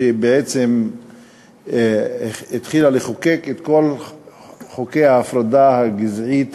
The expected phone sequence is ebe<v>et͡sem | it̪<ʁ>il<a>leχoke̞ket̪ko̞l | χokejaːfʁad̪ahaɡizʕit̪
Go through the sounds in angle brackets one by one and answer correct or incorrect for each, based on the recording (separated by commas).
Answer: incorrect, incorrect, correct